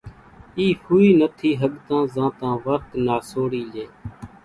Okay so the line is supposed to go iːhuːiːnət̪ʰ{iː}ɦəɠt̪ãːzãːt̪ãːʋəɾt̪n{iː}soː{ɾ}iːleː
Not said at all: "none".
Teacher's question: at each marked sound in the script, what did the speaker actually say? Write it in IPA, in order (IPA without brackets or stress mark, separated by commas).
iː, aː, ɽ